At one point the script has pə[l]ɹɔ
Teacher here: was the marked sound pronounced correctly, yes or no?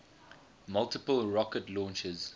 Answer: yes